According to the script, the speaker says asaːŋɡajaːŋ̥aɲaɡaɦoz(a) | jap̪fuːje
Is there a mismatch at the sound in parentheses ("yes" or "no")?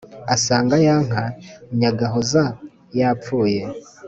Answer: no